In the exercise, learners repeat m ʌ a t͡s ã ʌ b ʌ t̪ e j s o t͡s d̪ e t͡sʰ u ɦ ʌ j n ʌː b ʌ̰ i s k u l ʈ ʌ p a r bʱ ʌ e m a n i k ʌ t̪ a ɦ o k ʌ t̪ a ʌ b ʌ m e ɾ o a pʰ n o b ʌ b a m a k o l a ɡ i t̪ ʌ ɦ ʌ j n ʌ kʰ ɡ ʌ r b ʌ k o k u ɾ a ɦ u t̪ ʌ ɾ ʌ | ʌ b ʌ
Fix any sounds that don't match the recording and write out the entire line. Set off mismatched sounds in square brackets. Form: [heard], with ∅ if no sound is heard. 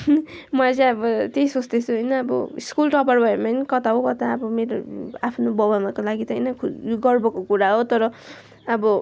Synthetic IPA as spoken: m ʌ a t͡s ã ʌ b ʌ t̪ e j s o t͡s d̪ e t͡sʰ u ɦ ʌ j n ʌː b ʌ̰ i s k u l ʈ ʌ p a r bʱ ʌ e m a n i k ʌ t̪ a ɦ o k ʌ t̪ a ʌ b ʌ m e ɾ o a pʰ n o b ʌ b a m a k o l a ɡ i t̪ ʌ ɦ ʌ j n ʌ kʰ ɡ ʌ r b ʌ k o k u ɾ a ɦ [o] t̪ ʌ ɾ ʌ | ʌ b ʌ